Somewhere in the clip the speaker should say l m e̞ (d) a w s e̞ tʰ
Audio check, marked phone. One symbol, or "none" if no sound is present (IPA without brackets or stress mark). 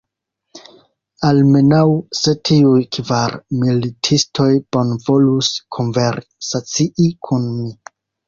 n